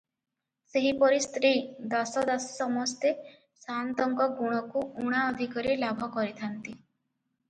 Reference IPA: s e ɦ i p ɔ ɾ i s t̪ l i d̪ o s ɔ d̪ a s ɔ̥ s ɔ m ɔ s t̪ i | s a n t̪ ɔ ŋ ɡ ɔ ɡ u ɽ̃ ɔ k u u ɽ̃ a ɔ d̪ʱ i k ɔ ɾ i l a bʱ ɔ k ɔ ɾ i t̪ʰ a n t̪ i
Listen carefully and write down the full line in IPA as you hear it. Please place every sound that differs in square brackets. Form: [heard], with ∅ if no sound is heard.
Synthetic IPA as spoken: s e ɦ i p ɔ ɾ i s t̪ [ɾ] i d̪ [ɔ] s ɔ d̪ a s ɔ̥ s ɔ m ɔ s t̪ [e] | s a n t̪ ɔ ŋ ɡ ɔ ɡ u ɽ̃ ɔ k u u ɽ̃ a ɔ d̪ʱ i k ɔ ɾ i l a bʱ ɔ k ɔ ɾ i t̪ʰ a n t̪ i